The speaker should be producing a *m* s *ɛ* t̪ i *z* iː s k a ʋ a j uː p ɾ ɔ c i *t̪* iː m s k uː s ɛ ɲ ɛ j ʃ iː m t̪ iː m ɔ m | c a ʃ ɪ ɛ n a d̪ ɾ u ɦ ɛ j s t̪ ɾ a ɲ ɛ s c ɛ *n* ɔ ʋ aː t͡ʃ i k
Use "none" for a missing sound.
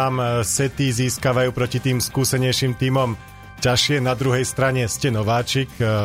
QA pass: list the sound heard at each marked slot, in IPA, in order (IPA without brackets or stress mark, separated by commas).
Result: m, ɛ, z, t̪, n